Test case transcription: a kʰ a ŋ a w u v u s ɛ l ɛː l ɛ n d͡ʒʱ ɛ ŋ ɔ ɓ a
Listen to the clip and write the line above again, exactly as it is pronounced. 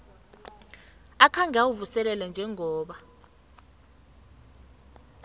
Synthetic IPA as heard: a kʰ a ŋ a w u v u s ɛ l ɛ l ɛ n d͡ʒʱ ɛ ŋ ɔː ɓ a